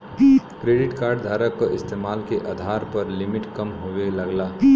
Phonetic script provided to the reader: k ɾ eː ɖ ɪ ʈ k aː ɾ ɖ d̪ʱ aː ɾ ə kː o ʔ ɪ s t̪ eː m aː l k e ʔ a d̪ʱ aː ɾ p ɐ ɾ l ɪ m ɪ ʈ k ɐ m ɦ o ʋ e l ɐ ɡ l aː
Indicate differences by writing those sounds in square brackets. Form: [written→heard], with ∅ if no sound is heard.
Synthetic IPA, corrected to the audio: k ɾ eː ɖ ɪ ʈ k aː ɾ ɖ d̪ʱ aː ɾ ə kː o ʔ ɪ s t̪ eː m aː l k e ʔ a d̪ʱ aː ɾ p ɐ ɾ l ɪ m ɪ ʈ k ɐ m ɦ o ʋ e l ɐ ɡ l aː